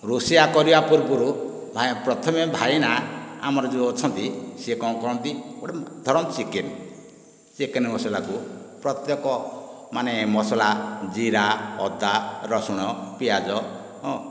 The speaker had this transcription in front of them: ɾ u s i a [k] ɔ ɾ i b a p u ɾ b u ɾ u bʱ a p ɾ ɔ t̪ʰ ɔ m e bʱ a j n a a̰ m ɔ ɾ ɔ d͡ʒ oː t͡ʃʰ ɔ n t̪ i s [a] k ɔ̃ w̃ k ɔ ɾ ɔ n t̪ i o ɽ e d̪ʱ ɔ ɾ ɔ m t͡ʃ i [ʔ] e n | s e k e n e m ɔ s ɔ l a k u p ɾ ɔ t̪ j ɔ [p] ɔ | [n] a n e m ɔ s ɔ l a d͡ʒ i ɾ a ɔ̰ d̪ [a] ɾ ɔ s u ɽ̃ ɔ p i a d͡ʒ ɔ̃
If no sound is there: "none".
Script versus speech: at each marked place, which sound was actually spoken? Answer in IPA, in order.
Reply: k, e, k, k, m, a

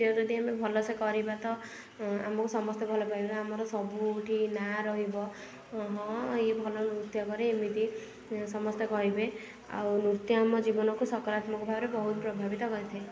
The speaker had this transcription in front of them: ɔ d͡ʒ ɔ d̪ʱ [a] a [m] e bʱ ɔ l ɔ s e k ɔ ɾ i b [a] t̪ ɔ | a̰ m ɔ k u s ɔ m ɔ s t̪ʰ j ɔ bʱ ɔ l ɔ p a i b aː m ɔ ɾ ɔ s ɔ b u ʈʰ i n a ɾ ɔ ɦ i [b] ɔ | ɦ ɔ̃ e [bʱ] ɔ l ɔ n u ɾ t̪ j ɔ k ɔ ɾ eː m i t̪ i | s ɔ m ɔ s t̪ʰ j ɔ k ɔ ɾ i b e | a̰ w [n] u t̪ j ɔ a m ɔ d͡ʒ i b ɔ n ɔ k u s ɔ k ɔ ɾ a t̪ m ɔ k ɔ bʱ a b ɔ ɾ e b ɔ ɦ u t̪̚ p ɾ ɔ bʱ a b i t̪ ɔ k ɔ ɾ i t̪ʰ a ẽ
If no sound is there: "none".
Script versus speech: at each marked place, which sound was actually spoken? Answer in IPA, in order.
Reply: i, m, a, b, bʱ, n

